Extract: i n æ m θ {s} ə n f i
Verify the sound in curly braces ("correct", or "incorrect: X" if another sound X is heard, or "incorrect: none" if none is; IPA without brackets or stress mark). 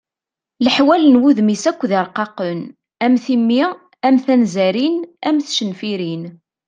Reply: incorrect: ʃ